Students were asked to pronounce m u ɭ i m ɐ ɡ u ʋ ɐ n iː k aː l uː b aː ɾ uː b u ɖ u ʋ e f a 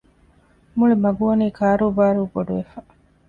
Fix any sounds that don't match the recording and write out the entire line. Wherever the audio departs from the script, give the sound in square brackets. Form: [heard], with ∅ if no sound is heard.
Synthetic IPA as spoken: m u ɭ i m ɐ ɡ u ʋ ɐ n iː k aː [ɾ] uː b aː ɾ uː b [o] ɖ u ʋ e f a